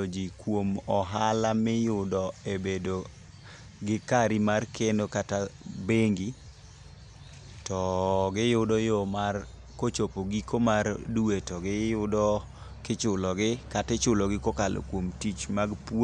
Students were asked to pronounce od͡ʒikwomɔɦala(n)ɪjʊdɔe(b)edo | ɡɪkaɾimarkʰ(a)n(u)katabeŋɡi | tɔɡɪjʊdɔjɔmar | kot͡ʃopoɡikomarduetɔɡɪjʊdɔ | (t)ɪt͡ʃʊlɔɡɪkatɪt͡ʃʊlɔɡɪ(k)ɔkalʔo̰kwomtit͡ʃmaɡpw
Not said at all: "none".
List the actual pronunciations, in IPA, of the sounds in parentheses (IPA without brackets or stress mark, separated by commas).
m, b, e, o, k, k